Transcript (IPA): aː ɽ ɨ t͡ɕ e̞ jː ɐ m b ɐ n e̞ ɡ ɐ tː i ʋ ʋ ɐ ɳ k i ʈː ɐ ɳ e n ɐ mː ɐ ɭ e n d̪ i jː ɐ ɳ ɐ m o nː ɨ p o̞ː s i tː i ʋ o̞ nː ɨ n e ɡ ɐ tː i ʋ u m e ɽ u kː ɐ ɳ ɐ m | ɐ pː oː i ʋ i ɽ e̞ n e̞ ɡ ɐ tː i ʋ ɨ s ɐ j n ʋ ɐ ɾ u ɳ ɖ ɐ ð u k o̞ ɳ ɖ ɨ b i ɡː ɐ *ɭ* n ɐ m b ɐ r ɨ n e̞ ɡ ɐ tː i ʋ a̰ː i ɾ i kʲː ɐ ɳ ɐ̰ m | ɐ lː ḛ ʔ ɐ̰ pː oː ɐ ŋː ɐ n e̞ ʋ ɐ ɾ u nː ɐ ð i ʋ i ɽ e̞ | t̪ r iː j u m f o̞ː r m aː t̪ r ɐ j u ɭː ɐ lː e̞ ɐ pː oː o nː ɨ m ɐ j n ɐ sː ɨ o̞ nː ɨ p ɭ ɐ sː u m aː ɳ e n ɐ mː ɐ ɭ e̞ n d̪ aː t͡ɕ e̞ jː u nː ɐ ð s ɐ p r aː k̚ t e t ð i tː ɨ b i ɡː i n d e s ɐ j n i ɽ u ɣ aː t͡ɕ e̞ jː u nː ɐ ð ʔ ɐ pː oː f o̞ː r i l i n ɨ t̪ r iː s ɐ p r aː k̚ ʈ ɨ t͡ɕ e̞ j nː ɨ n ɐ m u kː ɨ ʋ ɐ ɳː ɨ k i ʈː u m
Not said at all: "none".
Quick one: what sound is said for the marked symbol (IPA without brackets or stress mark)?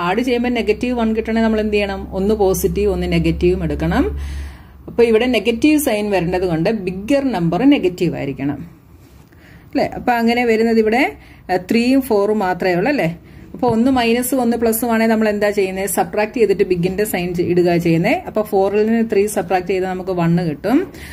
r